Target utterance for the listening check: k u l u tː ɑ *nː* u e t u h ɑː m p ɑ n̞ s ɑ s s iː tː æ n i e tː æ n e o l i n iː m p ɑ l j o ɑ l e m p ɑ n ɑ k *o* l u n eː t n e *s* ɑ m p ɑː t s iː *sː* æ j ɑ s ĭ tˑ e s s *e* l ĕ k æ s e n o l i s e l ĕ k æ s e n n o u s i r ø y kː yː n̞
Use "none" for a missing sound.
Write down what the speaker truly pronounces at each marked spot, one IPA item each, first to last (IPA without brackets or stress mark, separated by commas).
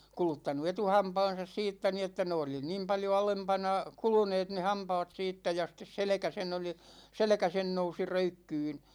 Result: n, u, h, tː, e